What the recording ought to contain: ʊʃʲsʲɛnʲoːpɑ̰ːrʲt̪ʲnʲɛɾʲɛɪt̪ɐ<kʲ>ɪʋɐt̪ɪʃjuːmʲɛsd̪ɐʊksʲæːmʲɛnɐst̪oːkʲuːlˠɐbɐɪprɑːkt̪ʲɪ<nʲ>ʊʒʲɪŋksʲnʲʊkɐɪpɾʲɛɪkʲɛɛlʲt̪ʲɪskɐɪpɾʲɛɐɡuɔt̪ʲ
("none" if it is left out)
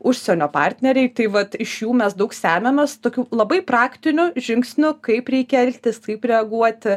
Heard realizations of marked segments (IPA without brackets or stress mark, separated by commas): none, nʲ